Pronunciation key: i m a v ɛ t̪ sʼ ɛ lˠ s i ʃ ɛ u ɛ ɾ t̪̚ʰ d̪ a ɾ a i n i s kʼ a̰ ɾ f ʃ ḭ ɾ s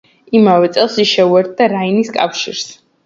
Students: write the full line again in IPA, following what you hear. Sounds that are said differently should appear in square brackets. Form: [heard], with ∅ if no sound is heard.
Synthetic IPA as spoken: i m a v ɛ t̪ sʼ ɛ lˠ s i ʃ ɛ u ɛ ɾ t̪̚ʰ d̪ a ɾ a i n i s kʼ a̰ [∅] f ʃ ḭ ɾ s

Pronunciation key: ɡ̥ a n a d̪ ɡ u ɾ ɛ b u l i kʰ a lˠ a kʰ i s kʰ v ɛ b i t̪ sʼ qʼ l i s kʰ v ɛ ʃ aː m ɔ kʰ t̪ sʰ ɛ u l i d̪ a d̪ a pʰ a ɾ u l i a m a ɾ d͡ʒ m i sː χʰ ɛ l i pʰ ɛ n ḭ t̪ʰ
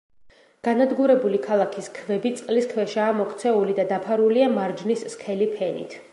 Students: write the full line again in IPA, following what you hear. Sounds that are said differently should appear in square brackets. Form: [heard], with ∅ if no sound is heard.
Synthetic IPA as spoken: ɡ̥ a n a d̪ ɡ u ɾ ɛ b u l i kʰ a lˠ a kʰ i s kʰ v ɛ b i t̪ sʼ qʼ l i s kʰ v ɛ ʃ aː m ɔ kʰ t̪ sʰ ɛ u l i d̪ a d̪ a pʰ a ɾ u l i a m a ɾ d͡ʒ [n] i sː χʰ ɛ l i pʰ ɛ n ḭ t̪ʰ

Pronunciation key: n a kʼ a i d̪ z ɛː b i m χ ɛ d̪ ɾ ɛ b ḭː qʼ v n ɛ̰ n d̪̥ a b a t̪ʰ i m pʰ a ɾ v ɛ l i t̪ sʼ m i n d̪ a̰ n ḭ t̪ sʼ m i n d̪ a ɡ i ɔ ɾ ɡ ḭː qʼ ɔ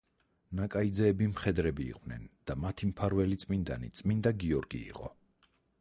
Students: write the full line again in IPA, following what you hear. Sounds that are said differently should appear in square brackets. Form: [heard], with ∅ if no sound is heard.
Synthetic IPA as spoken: n a kʼ a i d̪ z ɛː b i m χ ɛ d̪ ɾ ɛ b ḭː qʼ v n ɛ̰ n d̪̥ a [m] a t̪ʰ i m pʰ a ɾ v ɛ l i t̪ sʼ m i n d̪ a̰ n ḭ t̪ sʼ m i n d̪ a ɡ i ɔ ɾ ɡ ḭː qʼ ɔ

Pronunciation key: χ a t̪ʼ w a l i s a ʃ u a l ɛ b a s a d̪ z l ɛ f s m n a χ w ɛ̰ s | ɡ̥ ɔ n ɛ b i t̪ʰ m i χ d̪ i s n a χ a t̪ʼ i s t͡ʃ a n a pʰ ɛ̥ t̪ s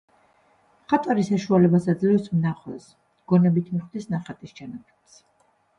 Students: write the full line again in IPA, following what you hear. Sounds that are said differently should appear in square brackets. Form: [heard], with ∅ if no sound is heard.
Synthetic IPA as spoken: χ a t̪ʼ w a [ɾ] i s a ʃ u a l ɛ b a s a d̪ z l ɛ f s m n a χ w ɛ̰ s | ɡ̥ ɔ n ɛ b i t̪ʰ m i χ d̪ i s n a χ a t̪ʼ i s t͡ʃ a n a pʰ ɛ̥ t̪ s

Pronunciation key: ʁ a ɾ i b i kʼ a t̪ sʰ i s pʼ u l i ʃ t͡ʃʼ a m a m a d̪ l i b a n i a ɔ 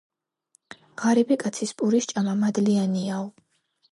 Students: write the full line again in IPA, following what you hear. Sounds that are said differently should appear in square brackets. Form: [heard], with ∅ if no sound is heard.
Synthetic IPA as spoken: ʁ a ɾ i b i kʼ a t̪ sʰ i s pʼ u [ɾ] i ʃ t͡ʃʼ a m a m a d̪ l i [∅] a n i a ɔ

